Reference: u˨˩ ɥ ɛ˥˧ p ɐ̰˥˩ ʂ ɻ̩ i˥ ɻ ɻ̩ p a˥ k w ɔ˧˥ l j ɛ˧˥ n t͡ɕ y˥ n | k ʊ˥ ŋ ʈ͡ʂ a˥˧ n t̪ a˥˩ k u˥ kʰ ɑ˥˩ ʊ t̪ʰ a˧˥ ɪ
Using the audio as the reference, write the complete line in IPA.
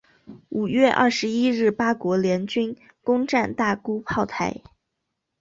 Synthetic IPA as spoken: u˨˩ ɥ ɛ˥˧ ʔ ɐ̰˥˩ ʂ ɻ̩ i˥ ɻ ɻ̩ p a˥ k w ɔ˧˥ l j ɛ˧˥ n t͡ɕ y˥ n | k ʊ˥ ŋ ʈ͡ʂ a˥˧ n t̪ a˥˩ k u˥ pʰ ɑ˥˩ ʊ t̪ʰ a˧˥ ɪ